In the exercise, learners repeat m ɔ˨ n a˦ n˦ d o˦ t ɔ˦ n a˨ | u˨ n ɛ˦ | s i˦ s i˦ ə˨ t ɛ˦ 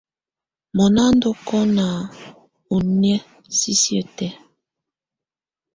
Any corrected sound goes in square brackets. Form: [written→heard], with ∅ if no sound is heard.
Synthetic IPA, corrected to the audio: m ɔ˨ n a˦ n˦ d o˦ [t→k] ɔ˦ n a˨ | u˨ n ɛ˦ | s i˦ s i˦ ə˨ t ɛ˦